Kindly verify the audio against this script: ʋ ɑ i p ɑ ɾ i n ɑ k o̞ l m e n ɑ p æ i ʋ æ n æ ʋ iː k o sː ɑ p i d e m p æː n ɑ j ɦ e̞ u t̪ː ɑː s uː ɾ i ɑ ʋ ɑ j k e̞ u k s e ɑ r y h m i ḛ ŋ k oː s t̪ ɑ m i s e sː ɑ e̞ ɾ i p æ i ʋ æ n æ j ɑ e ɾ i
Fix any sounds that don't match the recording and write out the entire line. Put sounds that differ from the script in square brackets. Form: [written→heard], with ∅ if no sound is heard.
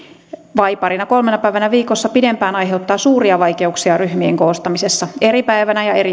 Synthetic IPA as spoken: ʋ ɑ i p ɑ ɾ i n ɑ k o̞ l m e n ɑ p æ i ʋ æ n æ ʋ iː k o sː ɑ p i d e m p æː n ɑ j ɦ e̞ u t̪ː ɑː s uː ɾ i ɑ ʋ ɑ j k e̞ u k s [e→i] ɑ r y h m i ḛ ŋ k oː s t̪ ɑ m i s e sː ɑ e̞ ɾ i p æ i ʋ æ n æ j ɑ e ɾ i